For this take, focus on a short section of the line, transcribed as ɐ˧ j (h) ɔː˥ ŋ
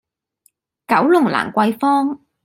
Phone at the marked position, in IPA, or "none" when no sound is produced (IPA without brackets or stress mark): f